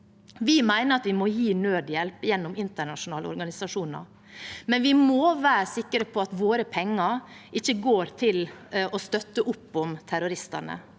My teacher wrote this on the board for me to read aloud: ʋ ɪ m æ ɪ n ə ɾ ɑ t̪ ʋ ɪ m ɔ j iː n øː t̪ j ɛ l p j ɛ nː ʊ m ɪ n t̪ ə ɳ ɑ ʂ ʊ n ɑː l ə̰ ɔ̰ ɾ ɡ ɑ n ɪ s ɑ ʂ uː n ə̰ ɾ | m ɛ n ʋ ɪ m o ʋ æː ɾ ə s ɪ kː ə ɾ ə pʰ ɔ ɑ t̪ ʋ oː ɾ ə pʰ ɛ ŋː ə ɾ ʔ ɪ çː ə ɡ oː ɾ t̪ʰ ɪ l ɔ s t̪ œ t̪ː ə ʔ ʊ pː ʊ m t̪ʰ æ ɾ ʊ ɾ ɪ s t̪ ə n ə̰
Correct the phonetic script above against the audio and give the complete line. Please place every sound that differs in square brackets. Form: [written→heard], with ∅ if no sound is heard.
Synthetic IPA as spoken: ʋ ɪ m æ ɪ n ə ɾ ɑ t̪ ʋ ɪ m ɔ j iː n øː [t̪→d̪] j ɛ l p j ɛ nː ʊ m ɪ n t̪ ə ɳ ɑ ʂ ʊ n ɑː l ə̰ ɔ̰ ɾ ɡ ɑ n ɪ s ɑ ʂ uː n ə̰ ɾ | m ɛ n ʋ ɪ m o ʋ æː ɾ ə s ɪ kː ə ɾ ə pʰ ɔ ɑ t̪ ʋ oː ɾ ə pʰ ɛ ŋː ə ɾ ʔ ɪ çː ə ɡ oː ɾ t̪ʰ ɪ l ɔ s t̪ œ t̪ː ə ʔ ʊ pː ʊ m t̪ʰ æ ɾ ʊ ɾ ɪ s t̪ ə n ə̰